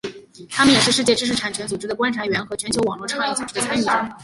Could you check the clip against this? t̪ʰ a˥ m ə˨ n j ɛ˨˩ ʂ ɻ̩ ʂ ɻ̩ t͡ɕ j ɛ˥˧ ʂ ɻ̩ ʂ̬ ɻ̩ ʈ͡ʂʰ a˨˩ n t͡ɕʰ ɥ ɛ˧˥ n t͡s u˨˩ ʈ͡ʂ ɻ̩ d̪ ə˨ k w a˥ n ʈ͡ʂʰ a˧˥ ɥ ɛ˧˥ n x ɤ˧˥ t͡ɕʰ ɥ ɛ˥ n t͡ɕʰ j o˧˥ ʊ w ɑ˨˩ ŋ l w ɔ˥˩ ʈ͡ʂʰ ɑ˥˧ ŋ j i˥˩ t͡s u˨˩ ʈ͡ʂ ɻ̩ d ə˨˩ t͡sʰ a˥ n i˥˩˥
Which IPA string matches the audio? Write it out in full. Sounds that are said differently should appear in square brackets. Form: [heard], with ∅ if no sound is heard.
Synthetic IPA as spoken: t̪ʰ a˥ m ə˨ n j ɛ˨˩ ʂ ɻ̩ ʂ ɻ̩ t͡ɕ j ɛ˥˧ [ʈ͡ʂ] ɻ̩ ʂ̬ ɻ̩ ʈ͡ʂʰ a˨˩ n t͡ɕʰ ɥ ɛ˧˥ n t͡s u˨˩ ʈ͡ʂ ɻ̩ d̪ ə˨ k w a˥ n ʈ͡ʂʰ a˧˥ ɥ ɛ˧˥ n x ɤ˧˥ t͡ɕʰ ɥ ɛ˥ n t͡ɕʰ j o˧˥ ʊ w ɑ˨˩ ŋ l w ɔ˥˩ ʈ͡ʂʰ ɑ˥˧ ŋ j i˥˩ t͡s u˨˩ ʈ͡ʂ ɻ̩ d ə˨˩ t͡sʰ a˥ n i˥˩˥